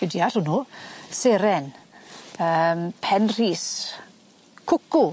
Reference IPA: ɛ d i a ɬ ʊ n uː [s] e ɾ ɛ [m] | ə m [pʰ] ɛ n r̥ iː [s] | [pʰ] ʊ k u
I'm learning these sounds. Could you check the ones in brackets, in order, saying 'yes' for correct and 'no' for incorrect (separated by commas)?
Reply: yes, no, yes, yes, no